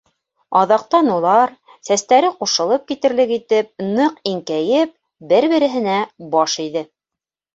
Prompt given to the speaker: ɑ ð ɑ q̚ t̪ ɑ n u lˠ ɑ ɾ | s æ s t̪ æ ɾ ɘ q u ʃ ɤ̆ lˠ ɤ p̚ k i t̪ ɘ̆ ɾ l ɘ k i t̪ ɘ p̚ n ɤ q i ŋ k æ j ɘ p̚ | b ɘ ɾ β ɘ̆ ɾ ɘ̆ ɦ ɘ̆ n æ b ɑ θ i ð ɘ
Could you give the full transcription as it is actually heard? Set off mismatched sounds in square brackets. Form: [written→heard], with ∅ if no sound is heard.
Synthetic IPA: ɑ ð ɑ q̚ t̪ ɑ n u lˠ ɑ ɾ | s æ s t̪ æ ɾ ɘ q u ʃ ɤ̆ lˠ ɤ p̚ k i t̪ ɘ̆ ɾ l ɘ k i t̪ ɘ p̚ n ɤ q i ŋ k æ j ɘ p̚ | b ɘ ɾ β ɘ̆ ɾ ɘ̆ ɦ ɘ̆ n æ b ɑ [θ→ʃ] i ð ɘ